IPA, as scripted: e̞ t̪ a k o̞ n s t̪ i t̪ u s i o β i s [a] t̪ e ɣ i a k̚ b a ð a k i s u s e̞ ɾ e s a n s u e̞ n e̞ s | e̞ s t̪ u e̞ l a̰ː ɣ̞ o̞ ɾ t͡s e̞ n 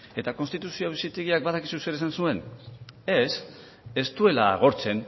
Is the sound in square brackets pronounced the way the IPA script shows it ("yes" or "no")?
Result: no